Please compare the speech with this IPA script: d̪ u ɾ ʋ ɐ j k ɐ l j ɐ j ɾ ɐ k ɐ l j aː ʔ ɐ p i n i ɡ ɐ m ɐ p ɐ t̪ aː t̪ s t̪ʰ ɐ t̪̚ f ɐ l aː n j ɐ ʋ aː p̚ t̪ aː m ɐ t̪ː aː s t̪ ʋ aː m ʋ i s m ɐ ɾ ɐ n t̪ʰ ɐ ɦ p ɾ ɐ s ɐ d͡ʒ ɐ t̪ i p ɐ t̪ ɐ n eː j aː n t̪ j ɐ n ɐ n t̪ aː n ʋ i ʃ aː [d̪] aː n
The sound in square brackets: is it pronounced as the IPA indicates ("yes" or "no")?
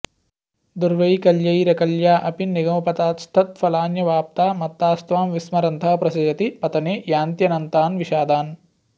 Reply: yes